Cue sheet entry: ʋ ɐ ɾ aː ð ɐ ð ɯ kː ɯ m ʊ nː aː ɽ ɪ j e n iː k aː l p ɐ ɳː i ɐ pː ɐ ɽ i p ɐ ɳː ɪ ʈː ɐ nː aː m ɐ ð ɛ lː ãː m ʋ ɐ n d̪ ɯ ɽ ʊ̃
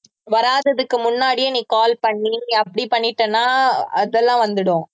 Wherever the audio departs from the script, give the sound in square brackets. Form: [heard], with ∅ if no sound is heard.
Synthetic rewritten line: ʋ ɐ ɾ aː ð ɐ ð ɯ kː ɯ m ʊ nː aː ɽ ɪ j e n iː k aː l p ɐ ɳː i ɐ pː ɐ ɽ i p ɐ ɳː ɪ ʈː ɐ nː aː [∅] ɐ ð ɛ lː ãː [∅] ʋ ɐ n d̪ ɯ ɽ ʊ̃

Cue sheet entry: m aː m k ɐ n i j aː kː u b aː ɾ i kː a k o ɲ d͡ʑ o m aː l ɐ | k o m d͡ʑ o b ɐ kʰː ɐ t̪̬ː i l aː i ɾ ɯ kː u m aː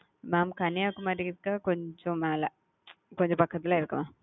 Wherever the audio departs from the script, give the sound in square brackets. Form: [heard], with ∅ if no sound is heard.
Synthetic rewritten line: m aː m k ɐ n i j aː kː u [m] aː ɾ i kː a k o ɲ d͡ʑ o m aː l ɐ | k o [ɲ] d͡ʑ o [p] ɐ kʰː ɐ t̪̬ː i l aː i ɾ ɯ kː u m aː

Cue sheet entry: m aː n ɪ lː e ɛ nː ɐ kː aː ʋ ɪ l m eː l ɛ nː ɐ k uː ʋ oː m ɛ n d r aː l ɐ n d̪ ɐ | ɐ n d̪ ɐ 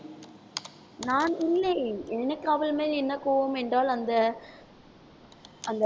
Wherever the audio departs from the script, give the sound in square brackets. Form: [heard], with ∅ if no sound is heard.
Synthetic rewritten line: [n] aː n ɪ lː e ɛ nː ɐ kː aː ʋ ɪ l m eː l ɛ nː ɐ k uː ʋ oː m ɛ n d r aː l ɐ n d̪ ɐ | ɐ n d̪ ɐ

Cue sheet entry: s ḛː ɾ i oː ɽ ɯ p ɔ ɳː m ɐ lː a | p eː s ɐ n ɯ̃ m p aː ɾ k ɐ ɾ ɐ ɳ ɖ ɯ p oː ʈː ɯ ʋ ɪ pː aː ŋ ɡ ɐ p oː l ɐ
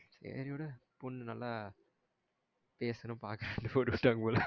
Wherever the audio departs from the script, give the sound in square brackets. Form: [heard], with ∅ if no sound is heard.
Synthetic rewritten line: s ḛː ɾ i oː ɽ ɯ p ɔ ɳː [n] ɐ lː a | p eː s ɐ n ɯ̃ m p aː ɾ k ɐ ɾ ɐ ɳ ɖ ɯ p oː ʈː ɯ ʋ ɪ [ʈː] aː ŋ ɡ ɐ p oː l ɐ

